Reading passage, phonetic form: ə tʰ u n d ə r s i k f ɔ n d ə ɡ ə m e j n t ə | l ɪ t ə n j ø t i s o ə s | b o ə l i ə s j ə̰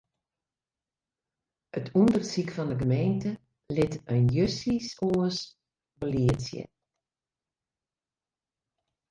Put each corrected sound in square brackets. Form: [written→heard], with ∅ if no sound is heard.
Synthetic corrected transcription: ə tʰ u n d ə r s i k f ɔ n d ə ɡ ə m e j n t ə | l ɪ t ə n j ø [t→s] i s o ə s | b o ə l i ə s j ə̰